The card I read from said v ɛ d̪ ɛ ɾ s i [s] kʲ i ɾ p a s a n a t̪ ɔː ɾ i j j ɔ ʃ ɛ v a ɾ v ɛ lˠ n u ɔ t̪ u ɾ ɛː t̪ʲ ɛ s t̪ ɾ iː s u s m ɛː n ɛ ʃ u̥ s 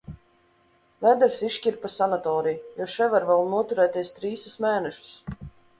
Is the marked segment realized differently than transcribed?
yes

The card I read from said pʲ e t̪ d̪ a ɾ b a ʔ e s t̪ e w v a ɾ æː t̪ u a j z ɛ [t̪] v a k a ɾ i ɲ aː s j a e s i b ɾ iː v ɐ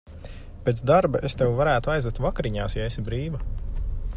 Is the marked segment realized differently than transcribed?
no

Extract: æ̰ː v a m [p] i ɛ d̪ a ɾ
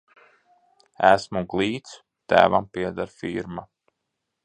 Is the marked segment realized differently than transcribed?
no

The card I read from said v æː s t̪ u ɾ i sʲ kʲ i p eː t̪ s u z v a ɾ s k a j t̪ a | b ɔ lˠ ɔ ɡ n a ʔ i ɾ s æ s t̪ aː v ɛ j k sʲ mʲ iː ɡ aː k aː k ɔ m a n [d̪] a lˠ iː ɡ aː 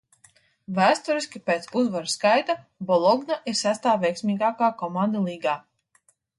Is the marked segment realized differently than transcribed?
no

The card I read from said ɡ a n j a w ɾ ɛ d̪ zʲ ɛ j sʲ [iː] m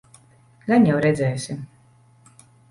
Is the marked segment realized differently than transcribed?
yes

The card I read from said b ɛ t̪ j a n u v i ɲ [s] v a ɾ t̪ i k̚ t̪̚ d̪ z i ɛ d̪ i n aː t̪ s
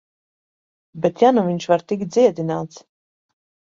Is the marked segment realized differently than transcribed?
yes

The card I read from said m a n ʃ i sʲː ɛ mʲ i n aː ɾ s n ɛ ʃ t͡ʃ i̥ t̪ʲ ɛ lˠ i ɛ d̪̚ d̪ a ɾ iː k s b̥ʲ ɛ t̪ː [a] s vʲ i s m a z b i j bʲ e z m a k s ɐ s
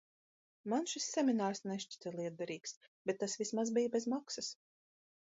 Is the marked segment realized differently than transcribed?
no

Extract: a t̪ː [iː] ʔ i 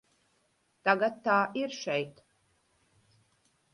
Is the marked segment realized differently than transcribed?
yes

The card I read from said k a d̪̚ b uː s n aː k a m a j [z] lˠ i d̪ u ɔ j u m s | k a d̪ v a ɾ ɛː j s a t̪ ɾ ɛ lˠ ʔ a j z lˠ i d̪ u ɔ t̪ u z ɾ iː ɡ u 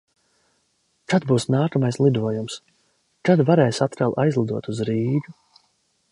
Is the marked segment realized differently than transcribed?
yes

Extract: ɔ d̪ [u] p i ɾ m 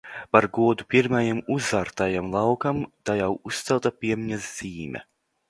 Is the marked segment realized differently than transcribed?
no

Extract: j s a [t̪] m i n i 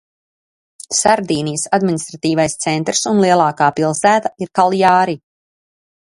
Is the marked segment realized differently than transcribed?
yes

